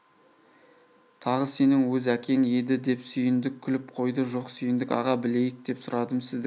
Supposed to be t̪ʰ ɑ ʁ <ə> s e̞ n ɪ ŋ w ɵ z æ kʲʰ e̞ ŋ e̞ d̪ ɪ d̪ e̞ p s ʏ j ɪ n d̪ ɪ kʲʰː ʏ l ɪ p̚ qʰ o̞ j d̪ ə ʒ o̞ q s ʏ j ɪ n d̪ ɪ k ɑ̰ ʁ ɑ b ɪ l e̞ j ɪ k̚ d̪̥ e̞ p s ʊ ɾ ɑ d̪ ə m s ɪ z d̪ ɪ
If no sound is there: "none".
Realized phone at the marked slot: ə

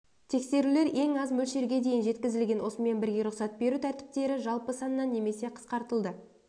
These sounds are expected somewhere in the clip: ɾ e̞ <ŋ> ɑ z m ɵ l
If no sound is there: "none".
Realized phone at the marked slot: ŋ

